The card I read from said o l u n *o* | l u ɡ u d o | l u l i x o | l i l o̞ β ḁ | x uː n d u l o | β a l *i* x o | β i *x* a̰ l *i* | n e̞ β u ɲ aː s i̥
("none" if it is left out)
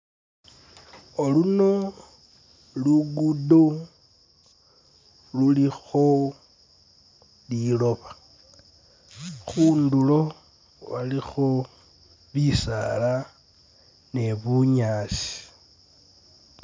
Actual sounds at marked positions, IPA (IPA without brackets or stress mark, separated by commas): o, i, s, a